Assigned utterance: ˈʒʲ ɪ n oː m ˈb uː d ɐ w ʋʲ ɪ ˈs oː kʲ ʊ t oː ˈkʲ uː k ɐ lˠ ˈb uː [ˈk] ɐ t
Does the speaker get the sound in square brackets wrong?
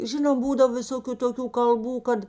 no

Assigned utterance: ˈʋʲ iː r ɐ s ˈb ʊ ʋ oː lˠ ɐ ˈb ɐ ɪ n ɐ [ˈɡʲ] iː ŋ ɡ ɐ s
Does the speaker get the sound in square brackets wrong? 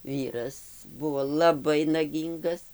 no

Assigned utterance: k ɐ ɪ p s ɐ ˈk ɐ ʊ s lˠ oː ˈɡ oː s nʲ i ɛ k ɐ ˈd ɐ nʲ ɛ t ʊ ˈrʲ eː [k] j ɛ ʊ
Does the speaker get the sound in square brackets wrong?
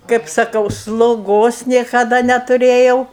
yes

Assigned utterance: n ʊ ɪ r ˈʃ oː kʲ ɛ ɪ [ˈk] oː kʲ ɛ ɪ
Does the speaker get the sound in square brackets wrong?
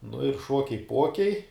yes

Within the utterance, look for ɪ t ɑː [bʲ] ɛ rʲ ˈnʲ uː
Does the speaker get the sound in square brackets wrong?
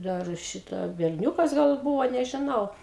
no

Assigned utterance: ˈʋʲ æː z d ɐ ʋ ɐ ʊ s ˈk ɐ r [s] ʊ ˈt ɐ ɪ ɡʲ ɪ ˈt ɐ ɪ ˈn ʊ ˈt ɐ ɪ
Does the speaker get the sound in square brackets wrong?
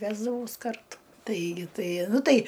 yes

